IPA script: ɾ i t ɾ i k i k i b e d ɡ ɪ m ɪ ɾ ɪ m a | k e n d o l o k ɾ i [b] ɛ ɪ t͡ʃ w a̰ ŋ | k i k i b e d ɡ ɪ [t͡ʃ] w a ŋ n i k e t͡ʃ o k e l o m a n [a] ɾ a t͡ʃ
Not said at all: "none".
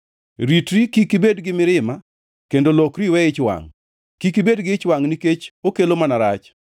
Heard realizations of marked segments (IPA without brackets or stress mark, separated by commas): w, t͡ʃ, a